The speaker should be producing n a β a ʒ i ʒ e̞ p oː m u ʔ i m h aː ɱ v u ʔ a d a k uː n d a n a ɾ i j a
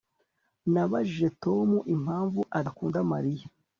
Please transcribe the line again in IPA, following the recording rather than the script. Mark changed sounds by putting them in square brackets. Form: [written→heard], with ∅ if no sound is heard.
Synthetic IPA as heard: n a β a ʒ i ʒ e̞ [p→t] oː m u ʔ i m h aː ɱ v u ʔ a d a k uː n d a [n→m] a ɾ i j a